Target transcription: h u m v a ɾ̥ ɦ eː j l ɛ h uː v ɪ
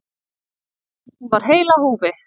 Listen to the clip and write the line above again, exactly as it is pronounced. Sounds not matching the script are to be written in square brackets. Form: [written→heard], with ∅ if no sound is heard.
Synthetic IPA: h u [m→n] v a ɾ̥ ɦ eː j l [ɛ→a] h uː v ɪ